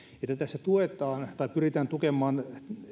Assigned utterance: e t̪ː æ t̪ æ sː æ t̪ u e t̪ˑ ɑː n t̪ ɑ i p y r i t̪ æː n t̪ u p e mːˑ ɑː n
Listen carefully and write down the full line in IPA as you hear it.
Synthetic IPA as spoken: e t̪ː æ t̪ æ sː æ t̪ u e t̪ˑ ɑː n t̪ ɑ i p y r i t̪ æː n t̪ u k e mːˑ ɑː n